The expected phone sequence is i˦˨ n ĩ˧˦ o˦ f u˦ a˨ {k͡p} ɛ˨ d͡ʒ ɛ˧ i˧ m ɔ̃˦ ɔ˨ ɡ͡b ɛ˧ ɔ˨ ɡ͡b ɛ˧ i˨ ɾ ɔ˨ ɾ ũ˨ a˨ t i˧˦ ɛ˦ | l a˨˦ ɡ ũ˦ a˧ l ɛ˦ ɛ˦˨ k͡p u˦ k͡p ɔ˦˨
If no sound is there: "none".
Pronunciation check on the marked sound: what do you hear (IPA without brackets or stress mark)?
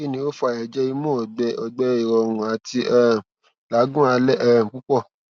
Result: none